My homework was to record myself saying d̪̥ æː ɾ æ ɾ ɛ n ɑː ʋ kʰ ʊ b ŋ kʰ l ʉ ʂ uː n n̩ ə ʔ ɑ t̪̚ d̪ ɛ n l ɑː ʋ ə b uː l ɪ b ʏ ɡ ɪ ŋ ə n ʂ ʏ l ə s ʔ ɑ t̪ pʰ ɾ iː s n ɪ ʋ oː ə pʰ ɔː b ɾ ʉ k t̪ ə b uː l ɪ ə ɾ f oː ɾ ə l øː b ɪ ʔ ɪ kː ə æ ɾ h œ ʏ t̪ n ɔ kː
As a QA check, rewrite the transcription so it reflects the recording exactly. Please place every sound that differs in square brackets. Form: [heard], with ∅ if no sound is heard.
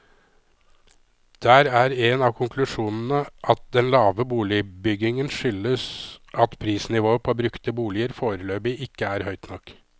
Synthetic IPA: d̪̥ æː ɾ æ ɾ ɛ n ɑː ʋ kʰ ʊ [∅] ŋ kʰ l ʉ ʂ uː n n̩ ə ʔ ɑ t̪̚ d̪ ɛ n l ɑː ʋ ə b uː l ɪ b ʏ ɡ ɪ ŋ ə n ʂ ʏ l ə s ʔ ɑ t̪ pʰ ɾ iː s n ɪ ʋ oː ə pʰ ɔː b ɾ ʉ k t̪ ə b uː l ɪ ə ɾ f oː ɾ ə l øː b ɪ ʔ ɪ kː ə æ ɾ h œ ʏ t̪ n ɔ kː